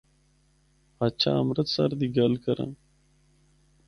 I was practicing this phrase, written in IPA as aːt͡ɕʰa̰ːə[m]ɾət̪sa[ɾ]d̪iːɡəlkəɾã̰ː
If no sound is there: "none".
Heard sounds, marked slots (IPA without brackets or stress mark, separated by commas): m, ɾ